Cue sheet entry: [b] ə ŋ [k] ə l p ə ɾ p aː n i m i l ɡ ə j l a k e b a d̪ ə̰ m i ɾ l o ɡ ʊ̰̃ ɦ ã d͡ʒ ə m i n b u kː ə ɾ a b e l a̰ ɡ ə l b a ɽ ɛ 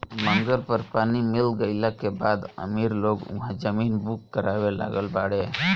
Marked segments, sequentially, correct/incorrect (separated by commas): incorrect, incorrect